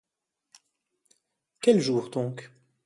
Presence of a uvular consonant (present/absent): present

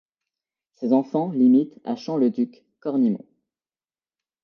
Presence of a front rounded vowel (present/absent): present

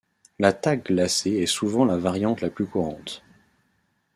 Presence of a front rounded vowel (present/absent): present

